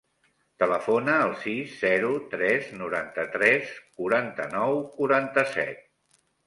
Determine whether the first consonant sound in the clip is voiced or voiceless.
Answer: voiceless